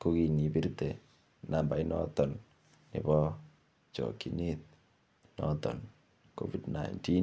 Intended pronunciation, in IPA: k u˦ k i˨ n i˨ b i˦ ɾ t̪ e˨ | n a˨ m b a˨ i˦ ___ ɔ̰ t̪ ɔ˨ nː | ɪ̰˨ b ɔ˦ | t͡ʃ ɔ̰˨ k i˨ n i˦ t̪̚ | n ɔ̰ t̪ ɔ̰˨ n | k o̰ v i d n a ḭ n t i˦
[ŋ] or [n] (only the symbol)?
n